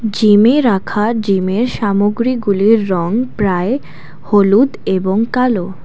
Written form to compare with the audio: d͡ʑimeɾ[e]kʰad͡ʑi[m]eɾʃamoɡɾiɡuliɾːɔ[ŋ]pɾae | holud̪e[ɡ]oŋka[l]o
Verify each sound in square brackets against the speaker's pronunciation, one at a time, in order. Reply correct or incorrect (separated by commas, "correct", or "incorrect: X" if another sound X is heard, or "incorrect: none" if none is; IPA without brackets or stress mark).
incorrect: a, correct, correct, incorrect: b, correct